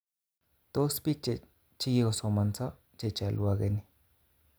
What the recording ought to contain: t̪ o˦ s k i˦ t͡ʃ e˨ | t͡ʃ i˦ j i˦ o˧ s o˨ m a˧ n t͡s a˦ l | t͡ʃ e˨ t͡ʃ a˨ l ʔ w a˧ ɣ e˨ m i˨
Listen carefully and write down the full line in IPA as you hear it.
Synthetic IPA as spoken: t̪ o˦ s p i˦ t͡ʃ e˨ | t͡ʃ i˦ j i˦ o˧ s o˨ m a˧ n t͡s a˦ | t͡ʃ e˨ t͡ʃ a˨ l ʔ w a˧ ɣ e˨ n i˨